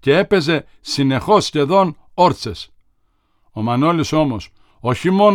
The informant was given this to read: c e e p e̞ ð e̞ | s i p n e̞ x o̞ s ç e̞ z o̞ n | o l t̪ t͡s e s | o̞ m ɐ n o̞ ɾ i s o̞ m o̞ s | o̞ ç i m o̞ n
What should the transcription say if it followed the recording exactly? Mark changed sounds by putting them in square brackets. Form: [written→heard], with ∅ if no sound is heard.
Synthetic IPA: c e e p e̞ [ð→z] e̞ | s i [p→∅] n e̞ x o̞ s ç e̞ [z→ð] o̞ n | o [l→ɾ] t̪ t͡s e s | o̞ m ɐ n o̞ [ɾ→l] i s o̞ m o̞ s | o̞ ç i m o̞ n